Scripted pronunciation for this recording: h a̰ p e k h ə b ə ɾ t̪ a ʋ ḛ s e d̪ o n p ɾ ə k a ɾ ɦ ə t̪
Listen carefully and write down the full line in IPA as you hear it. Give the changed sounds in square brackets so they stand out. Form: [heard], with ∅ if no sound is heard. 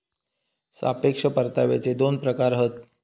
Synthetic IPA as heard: [s] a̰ p e k [ʂ] ə [p] ə ɾ t̪ a ʋ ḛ [t͡s] e d̪ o n p ɾ ə k a ɾ ɦ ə t̪

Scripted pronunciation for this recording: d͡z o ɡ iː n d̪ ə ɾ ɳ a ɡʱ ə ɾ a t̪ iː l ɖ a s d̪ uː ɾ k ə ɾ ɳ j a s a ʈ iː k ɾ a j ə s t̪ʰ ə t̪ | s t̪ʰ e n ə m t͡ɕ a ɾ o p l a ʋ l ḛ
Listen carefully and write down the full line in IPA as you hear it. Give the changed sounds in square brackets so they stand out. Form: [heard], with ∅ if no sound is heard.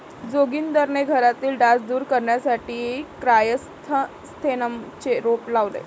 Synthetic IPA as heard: d͡z o ɡ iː n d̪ ə ɾ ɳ [e] ɡʱ ə ɾ a t̪ iː l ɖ a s d̪ uː ɾ k ə ɾ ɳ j a s a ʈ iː k ɾ a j ə s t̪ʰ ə [∅] | s t̪ʰ e n ə m t͡ɕ [e] ɾ o p l a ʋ l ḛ

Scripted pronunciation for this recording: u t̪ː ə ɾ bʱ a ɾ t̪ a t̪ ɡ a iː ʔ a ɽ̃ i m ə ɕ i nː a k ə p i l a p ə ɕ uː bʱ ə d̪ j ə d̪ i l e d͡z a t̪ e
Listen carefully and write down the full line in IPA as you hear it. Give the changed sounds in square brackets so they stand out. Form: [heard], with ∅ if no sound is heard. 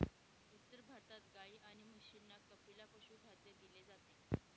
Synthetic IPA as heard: u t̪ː ə ɾ bʱ a ɾ t̪ a t̪ ɡ a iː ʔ a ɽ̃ i m ə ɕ i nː a k ə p i l a p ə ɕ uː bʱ [a] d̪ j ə d̪ i l e d͡z a t̪ e

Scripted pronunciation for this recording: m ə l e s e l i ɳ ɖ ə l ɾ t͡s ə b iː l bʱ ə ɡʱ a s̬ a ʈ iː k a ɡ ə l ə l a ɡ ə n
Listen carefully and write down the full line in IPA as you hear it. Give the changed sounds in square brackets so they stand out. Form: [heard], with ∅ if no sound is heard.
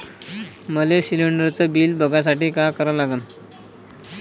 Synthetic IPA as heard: m ə l e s [i] l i ɳ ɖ ə [∅] ɾ t͡s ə b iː l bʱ ə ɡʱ a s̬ a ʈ iː k a [k] ə [ɾ] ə l a ɡ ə n

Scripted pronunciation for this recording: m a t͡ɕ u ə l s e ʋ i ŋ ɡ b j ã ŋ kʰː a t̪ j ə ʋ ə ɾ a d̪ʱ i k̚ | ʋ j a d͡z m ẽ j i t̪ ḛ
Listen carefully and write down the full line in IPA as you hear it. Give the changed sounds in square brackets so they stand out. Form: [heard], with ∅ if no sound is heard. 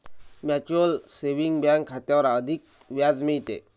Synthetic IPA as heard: m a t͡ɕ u ə l s e ʋ i ŋ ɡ b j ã ŋ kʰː a t̪ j [a] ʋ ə ɾ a d̪ʱ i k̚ | ʋ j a d͡z m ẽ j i t̪ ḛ

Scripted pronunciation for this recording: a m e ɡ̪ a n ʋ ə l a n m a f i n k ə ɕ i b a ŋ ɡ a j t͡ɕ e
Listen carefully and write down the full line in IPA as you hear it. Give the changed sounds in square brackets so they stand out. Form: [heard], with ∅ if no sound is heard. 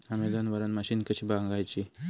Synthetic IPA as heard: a m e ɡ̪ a n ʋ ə [ɾ] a n m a [ɕ] i n k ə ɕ i b a ŋ ɡ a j t͡ɕ [i]

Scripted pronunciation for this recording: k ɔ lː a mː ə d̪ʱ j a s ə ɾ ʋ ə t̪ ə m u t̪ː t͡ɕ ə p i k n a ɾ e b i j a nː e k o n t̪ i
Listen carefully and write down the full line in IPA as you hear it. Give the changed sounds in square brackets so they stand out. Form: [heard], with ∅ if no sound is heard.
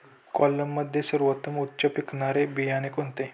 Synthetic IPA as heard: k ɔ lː [ə] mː ə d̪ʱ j [e] s ə ɾ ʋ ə t̪ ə m u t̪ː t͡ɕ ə p i k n a ɾ e b i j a [n] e k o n t̪ [e]

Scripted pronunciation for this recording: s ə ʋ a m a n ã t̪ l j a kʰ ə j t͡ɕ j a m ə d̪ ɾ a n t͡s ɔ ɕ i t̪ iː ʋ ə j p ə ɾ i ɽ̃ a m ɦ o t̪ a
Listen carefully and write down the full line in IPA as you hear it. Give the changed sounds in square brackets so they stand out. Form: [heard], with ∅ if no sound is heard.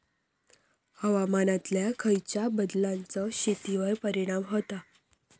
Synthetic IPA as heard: [h] ə ʋ a m a n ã t̪ l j a kʰ ə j t͡ɕ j a [b] ə d̪ [l] a n t͡s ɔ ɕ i t̪ [i] ʋ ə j p ə ɾ i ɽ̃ a m ɦ o t̪ a

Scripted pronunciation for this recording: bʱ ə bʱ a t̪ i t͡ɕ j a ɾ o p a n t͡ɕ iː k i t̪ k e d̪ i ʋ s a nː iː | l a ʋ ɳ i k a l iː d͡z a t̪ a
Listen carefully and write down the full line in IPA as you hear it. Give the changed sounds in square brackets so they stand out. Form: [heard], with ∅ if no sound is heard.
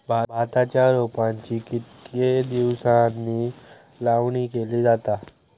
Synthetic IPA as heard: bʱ [a] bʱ a t̪ [a] t͡ɕ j a ɾ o p a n t͡ɕ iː k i t̪ k e d̪ i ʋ s a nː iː | l a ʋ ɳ i k [e] l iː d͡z a t̪ a

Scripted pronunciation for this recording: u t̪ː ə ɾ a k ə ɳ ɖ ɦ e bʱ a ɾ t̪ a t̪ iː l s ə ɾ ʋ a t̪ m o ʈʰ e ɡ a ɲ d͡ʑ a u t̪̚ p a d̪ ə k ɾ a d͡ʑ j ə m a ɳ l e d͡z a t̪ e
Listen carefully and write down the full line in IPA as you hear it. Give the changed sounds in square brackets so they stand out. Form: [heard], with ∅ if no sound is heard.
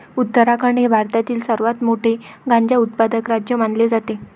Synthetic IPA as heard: u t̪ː ə ɾ a k ə ɳ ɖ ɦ e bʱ a ɾ t̪ a t̪ iː l s ə ɾ ʋ a t̪ m o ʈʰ e ɡ a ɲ d͡ʑ a u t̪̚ p a d̪ ə k ɾ a d͡ʑ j ə m a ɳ l e d͡z a t̪ e

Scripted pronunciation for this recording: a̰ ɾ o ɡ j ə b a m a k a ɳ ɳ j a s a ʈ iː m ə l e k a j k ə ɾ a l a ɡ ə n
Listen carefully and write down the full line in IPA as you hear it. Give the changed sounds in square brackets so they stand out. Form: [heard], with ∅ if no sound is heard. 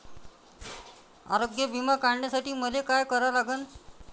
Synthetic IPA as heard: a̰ ɾ o ɡ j ə b [i] m a k a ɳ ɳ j a s a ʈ iː m ə l e k a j k ə ɾ a l a ɡ ə n

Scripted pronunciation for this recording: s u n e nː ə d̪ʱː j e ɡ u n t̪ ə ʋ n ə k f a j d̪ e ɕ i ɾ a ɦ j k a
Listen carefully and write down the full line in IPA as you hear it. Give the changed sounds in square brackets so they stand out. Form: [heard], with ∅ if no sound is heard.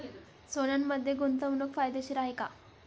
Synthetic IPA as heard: s [o] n [a] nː ə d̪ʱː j e ɡ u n t̪ ə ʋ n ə k f a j d̪ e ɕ i ɾ a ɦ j k a

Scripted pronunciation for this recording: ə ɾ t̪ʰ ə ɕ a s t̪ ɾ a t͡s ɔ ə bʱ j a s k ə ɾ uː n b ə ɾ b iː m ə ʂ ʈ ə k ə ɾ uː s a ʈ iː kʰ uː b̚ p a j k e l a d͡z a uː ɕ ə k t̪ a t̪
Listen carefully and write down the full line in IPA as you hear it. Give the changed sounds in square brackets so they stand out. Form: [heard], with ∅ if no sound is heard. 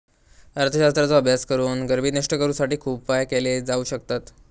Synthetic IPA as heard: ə ɾ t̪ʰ ə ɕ a s t̪ ɾ a t͡s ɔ ə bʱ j a s k ə ɾ uː n [ɡ] ə ɾ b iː [n] ə ʂ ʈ ə k ə ɾ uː s a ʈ iː kʰ uː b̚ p a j k e l [e] d͡z a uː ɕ ə k t̪ a t̪

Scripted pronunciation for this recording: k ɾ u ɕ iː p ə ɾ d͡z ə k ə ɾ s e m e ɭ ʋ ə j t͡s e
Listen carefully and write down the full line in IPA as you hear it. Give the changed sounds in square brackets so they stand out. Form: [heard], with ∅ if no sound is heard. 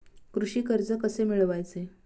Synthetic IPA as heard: k ɾ u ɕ iː [k] ə ɾ d͡z ə k ə [∅] s e m [i] ɭ ʋ [a] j t͡s e

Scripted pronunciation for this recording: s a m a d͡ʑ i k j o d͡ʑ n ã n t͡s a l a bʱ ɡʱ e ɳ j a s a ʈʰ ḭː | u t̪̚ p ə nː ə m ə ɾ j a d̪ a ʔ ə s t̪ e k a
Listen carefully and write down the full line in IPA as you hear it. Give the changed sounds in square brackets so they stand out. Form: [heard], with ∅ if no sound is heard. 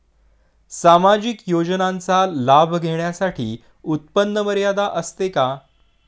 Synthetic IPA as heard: s a m a d͡ʑ i k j o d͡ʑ n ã n t͡s a l a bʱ ɡʱ e ɳ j a s a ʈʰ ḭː | u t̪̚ p ə nː ə m ə ɾ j a d̪ a ʔ ə s t̪ e k a

